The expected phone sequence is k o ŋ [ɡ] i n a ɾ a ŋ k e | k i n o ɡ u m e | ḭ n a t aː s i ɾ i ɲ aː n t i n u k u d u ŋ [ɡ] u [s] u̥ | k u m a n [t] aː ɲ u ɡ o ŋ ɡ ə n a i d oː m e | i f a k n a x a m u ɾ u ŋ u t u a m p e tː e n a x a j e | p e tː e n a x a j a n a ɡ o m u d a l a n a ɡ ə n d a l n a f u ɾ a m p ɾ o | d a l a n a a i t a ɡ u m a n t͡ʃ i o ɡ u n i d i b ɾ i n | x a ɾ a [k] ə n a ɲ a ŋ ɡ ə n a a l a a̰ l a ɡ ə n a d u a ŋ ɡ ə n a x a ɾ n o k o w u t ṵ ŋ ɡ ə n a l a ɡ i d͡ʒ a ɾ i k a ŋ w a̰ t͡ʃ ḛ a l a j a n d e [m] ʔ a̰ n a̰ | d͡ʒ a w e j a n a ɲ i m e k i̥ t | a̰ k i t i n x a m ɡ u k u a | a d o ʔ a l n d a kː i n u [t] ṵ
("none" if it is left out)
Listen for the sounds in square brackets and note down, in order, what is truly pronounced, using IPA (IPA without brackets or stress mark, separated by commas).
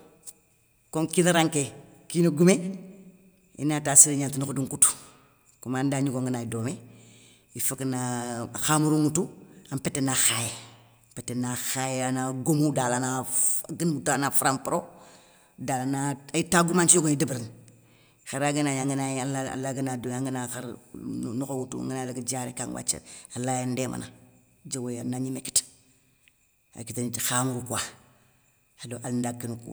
k, k, t, d, ɡ, m, k